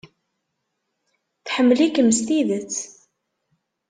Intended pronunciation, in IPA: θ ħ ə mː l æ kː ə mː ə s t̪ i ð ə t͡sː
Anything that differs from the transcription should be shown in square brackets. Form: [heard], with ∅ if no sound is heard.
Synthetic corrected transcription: θ ħ ə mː l [i] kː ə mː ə s t̪ i ð ə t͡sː